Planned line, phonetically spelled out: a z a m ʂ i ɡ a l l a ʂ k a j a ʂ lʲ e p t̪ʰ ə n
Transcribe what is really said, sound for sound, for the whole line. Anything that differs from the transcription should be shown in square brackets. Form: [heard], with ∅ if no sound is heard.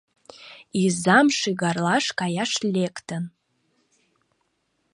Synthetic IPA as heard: [i] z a m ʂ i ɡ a [r] l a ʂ k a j a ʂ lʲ e [k] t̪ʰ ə n

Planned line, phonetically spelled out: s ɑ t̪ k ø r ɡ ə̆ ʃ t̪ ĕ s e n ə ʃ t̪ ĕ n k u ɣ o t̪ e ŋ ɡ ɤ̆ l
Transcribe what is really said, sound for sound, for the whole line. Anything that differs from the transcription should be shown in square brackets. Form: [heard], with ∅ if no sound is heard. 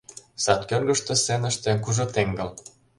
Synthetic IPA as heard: s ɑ t̪ k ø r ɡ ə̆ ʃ t̪ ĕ s e n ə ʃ t̪ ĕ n k u [ʒ] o t̪ e ŋ ɡ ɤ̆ l

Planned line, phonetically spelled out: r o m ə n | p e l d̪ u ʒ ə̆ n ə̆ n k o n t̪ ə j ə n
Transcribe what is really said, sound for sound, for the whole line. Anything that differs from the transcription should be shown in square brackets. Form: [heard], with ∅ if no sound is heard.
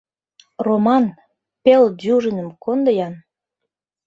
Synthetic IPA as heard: r o m [ɑ] n | p e l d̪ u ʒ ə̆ n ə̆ [m] k o n [d̪] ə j [ɑ] n

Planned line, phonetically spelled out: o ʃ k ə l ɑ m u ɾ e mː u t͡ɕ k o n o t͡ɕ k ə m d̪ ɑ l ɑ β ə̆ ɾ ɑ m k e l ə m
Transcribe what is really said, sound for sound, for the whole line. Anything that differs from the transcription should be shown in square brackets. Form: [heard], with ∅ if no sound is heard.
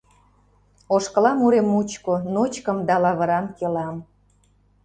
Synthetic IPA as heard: o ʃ k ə l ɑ m u ɾ e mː u t͡ɕ k o n o t͡ɕ k ə m d̪ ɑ l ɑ β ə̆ ɾ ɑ m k e l [ɑ] m

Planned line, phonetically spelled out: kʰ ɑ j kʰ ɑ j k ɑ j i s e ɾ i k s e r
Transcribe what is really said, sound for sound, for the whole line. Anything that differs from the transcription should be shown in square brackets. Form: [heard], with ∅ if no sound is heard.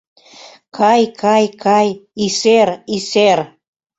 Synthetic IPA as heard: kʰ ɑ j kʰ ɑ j k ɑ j i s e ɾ i [∅] s e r

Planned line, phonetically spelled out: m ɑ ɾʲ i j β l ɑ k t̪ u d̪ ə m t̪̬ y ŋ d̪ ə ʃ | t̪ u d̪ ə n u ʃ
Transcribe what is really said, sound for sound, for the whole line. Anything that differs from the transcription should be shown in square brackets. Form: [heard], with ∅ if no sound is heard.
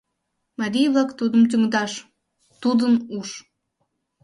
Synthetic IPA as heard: m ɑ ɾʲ i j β l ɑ k t̪ u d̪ ə m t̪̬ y ŋ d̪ [ɑ] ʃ | t̪ u d̪ ə n u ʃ

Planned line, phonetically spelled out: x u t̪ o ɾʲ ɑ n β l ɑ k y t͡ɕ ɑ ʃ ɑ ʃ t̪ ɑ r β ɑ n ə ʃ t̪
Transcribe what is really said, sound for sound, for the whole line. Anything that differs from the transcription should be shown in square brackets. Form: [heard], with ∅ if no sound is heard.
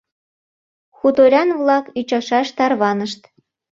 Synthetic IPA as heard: x u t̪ o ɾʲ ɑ n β l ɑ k y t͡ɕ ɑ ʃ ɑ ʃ t̪ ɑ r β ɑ n ə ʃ t̪

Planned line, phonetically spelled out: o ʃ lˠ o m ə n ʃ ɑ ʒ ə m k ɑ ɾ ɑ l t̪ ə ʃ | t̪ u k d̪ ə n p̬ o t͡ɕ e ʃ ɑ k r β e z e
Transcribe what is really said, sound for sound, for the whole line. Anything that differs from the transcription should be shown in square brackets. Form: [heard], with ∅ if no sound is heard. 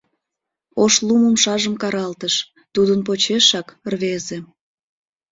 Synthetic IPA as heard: o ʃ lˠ [u] m ə [m] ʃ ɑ ʒ ə m k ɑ ɾ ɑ l t̪ ə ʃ | t̪ u [∅] d̪ ə n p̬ o t͡ɕ e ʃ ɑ k r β e z e

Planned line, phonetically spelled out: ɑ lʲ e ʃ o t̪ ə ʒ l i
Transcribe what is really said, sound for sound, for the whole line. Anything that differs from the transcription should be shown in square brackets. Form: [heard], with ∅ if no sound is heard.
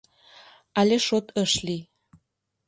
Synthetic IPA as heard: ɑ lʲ e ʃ o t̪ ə [ʃ] l i

